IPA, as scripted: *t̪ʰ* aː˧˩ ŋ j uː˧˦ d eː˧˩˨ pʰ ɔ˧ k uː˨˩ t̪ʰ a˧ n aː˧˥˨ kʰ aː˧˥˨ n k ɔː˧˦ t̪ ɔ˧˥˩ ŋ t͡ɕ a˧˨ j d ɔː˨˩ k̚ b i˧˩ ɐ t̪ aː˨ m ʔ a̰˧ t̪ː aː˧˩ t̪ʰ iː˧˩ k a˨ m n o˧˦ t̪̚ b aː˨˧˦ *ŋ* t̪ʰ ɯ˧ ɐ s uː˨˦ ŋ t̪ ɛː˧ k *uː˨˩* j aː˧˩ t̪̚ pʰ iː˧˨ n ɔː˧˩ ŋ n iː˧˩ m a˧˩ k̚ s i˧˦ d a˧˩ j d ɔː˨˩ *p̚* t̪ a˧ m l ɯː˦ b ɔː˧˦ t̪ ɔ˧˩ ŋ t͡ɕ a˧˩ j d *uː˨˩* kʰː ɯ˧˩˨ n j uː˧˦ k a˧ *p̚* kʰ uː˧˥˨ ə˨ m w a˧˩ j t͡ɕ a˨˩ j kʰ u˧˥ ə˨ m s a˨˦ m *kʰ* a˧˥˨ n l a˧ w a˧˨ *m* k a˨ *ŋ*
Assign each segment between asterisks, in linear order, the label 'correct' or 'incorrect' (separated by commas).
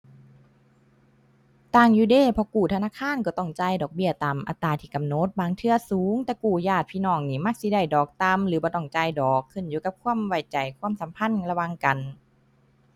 incorrect, correct, correct, incorrect, incorrect, correct, incorrect, incorrect, incorrect